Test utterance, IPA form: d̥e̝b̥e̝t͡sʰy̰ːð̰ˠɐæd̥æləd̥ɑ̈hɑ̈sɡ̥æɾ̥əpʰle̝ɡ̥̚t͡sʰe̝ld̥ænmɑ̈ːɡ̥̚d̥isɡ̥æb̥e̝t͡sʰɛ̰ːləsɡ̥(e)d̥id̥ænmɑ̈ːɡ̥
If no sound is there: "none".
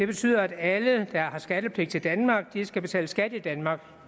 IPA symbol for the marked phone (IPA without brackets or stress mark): æ